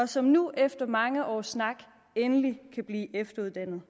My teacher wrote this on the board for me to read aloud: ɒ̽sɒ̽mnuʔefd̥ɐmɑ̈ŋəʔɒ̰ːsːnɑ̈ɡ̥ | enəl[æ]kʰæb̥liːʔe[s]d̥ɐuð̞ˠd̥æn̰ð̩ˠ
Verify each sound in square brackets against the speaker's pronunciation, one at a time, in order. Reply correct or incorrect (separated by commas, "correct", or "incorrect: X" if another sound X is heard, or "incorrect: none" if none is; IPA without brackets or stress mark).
incorrect: i, incorrect: f